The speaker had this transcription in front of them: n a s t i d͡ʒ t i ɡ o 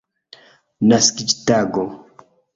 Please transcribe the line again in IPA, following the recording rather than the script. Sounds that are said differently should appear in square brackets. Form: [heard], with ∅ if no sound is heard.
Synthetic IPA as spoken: n a s [k] i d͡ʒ t [a] ɡ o

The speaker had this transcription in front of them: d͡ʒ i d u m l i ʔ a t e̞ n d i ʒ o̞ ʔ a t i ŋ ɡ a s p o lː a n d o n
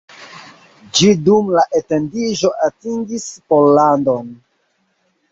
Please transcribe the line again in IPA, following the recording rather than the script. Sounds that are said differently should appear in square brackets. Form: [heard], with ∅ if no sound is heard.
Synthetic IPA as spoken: d͡ʒ i d u m l [a] ʔ [e] t e̞ n d i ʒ o̞ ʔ a t i ŋ ɡ [i] s p o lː a n d o n

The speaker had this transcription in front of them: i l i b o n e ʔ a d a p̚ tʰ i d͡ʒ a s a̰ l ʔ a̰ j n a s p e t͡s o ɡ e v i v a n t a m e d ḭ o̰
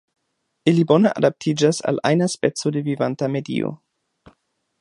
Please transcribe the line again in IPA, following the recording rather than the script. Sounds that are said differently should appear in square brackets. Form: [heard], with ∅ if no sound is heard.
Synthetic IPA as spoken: i l i b o n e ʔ a d a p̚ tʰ i d͡ʒ a s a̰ l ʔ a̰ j n a s p e t͡s o [d] e v i v a n t a m e d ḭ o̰

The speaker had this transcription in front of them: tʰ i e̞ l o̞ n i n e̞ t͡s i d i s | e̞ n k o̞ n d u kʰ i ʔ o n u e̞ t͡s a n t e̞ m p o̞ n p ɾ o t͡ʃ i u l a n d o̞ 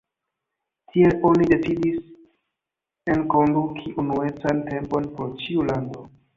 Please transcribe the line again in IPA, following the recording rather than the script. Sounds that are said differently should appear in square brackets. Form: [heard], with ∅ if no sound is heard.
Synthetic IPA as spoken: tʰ i e̞ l o̞ n i [d] e̞ t͡s i d i s | e̞ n k o̞ n d u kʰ i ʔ [u] n u e̞ t͡s a n t e̞ m p o̞ n p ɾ o t͡ʃ i u l a n d o̞

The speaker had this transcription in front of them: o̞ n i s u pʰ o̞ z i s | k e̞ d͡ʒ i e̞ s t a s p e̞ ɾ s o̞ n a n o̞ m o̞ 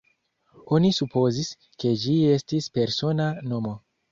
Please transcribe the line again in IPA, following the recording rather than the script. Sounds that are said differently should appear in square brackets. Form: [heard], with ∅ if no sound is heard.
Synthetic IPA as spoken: o̞ n i s u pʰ o̞ z i s | k e̞ d͡ʒ i e̞ s t [i] s p e̞ ɾ s o̞ n a n o̞ m o̞

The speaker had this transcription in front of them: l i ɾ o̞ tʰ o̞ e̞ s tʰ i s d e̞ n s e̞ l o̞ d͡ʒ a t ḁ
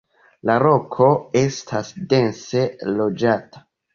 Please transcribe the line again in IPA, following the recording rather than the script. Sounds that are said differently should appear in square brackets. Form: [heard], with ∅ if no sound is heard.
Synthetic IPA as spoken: l [a] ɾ o̞ [kʰ] o̞ e̞ s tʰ [a] s d e̞ n s e̞ l o̞ d͡ʒ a t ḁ

